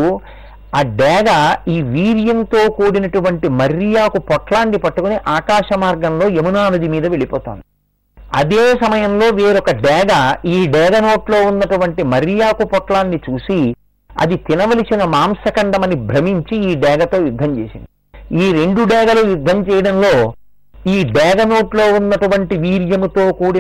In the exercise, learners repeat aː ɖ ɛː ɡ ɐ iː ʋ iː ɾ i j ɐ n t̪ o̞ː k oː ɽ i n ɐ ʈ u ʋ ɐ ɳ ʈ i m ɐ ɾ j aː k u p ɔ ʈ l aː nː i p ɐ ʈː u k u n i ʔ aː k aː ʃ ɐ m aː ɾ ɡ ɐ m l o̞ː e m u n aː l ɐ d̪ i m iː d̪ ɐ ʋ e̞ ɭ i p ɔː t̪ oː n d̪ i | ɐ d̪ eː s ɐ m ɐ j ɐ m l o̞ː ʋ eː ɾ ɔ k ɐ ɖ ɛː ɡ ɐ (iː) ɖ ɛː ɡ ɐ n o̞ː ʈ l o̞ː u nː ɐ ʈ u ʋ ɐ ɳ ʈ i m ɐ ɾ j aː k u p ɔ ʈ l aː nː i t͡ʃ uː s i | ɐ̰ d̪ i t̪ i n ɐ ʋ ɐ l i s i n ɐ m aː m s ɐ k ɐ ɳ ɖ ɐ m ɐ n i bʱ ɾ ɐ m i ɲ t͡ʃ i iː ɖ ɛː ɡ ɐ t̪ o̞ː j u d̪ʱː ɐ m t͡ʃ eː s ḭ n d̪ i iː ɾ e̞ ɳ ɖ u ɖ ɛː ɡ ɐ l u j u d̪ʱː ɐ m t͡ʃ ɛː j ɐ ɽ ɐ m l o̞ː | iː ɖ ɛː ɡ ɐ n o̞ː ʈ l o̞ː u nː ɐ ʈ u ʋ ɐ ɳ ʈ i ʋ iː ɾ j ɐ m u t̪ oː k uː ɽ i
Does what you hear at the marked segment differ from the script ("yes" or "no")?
no